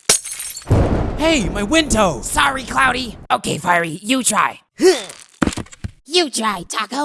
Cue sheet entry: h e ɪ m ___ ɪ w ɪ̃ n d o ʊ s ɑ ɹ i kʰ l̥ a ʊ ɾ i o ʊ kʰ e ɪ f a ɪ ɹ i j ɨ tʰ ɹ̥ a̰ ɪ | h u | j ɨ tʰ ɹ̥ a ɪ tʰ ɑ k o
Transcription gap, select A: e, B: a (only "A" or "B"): B